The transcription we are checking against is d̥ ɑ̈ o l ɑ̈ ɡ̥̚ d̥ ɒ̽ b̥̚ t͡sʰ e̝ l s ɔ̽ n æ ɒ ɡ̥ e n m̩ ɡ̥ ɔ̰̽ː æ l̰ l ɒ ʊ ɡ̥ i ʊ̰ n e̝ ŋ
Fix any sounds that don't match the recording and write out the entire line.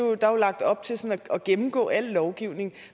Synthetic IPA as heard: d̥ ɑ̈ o l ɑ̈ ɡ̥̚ d̥ ɒ̽ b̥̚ t͡sʰ e̝ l s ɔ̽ n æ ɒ ɡ̥ e m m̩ ɡ̥ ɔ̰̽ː æ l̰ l ɒ ʊ ɡ̥ i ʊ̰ n e̝ ŋ